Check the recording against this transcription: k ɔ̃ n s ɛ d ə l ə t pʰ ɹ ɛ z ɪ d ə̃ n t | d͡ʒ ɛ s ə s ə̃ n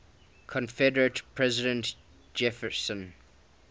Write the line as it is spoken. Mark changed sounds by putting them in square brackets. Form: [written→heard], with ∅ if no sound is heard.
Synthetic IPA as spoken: [k→kʰ] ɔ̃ n [s→f] ɛ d ə [l→ɹ] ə t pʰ ɹ ɛ z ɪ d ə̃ n t | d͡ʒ ɛ [s→f] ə s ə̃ n